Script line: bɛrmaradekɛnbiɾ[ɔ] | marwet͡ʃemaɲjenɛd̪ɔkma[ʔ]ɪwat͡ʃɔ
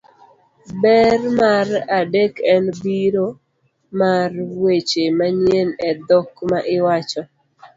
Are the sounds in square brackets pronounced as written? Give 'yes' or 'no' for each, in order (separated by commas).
no, yes